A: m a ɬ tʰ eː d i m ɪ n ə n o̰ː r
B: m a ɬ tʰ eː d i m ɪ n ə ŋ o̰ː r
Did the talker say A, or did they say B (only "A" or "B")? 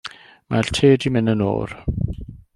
A